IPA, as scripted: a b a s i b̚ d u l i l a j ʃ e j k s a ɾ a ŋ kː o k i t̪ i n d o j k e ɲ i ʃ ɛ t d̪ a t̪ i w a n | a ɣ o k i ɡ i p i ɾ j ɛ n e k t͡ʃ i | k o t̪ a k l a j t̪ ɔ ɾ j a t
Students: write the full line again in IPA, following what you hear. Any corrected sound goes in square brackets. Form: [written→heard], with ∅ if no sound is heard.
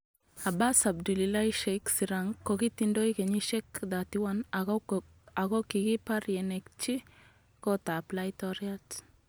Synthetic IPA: a b a s [i→a] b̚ d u l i l a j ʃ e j k s [a→i] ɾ a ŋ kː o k i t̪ i n d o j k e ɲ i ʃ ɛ [t→k] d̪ a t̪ i w a n | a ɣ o k i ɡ i p [i→a] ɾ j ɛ n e k t͡ʃ i | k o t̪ a [k→p] l a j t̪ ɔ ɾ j a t